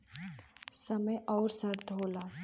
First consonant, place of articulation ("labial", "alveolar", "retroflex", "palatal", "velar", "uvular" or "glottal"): alveolar